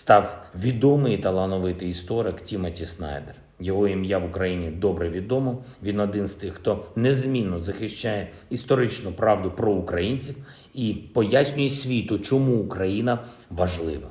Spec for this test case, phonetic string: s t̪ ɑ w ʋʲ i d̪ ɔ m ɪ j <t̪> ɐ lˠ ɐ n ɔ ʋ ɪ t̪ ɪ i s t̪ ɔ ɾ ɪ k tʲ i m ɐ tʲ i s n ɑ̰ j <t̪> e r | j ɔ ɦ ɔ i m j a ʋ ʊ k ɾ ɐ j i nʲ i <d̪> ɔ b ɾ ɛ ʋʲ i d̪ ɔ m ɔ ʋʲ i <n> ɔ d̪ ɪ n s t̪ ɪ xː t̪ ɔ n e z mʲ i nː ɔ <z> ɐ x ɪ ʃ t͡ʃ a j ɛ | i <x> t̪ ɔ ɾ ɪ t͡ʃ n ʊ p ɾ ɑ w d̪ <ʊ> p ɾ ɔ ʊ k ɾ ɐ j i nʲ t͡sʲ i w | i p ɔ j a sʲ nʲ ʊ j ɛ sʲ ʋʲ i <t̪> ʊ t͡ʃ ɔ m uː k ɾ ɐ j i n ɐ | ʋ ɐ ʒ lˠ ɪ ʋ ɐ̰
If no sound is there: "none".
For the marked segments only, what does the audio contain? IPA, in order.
t̪, d̪, d̪, n, z, s, ʊ, t̪

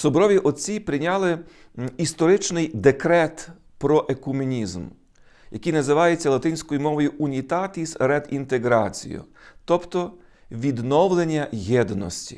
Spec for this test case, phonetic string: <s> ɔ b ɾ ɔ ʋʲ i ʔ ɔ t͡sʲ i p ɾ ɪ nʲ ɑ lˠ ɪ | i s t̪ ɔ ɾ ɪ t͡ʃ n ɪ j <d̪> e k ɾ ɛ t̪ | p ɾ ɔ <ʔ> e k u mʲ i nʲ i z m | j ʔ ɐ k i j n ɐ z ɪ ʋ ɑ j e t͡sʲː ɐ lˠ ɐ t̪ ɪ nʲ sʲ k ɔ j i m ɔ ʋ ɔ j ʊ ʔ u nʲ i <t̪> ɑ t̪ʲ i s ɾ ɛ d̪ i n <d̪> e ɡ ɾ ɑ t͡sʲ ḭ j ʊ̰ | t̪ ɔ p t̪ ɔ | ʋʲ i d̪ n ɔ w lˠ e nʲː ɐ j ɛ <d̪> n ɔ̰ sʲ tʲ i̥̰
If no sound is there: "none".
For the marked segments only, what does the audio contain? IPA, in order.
s, d̪, ʔ, t̪, t̪, d̪

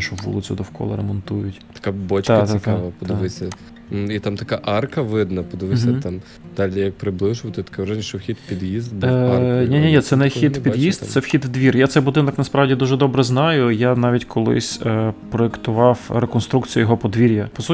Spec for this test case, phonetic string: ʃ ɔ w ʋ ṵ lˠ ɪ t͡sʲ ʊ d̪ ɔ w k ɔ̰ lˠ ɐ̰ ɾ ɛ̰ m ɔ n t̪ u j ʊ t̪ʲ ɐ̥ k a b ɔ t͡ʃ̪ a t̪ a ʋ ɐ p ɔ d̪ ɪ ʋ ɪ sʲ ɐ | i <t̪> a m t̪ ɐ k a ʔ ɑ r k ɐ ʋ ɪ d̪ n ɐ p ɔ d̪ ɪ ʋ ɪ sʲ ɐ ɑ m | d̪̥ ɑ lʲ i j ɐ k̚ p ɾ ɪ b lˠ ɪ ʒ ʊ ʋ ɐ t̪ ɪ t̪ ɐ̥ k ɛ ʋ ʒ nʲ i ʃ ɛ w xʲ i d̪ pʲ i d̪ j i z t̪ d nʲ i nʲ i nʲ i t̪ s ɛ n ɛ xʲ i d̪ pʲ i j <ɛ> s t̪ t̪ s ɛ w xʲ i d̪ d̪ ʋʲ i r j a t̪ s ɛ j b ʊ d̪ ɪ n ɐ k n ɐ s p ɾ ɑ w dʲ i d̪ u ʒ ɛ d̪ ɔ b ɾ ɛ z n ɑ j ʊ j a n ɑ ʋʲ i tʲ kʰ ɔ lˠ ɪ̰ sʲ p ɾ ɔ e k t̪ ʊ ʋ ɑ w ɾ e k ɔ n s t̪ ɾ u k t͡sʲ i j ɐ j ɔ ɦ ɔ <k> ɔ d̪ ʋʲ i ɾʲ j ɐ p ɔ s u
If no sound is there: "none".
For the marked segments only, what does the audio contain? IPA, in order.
t̪, i, p

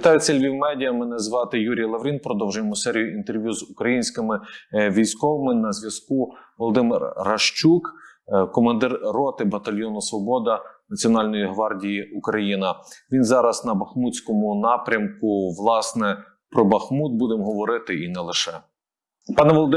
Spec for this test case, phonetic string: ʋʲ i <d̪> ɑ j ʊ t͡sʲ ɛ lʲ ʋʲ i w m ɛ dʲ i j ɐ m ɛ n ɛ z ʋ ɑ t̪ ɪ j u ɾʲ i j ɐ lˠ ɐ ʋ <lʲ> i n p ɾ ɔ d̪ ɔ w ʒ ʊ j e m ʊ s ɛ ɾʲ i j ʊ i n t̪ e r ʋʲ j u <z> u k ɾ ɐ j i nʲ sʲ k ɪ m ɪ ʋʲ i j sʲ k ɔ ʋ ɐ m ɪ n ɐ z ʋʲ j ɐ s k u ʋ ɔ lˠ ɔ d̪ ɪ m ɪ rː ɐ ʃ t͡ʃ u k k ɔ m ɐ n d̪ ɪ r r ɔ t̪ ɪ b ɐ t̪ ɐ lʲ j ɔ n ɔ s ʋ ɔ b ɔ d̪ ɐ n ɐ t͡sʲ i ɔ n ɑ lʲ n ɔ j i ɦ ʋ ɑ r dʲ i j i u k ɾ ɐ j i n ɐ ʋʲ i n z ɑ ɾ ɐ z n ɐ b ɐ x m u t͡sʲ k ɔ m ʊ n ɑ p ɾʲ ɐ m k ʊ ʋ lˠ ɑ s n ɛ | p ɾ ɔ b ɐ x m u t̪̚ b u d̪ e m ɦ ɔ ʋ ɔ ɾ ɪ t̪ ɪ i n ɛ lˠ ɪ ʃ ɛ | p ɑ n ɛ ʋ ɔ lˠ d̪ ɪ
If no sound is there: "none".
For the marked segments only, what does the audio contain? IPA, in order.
t̪, ɾʲ, z

